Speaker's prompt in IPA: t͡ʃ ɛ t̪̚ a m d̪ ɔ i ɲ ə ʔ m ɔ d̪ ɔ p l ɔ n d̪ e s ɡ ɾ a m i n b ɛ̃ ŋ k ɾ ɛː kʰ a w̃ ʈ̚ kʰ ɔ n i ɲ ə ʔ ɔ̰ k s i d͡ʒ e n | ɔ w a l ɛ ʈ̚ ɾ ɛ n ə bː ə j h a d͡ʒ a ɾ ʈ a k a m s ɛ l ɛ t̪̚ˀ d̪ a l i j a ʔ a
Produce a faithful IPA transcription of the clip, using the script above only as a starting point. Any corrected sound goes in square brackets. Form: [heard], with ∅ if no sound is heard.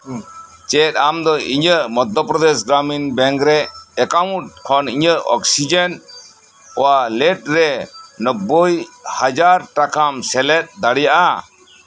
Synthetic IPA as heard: t͡ʃ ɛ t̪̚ a m d̪ ɔ i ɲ ə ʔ m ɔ d̪ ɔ p [ɾ] ɔ [∅] d̪ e s ɡ ɾ a m i n b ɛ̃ ŋ k ɾ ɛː [k] a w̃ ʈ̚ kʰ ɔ n i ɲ ə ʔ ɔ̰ k s i d͡ʒ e n | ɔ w a l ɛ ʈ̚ ɾ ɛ n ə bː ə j h a d͡ʒ a ɾ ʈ a k a m s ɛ l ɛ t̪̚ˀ d̪ a [ɽ] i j a ʔ a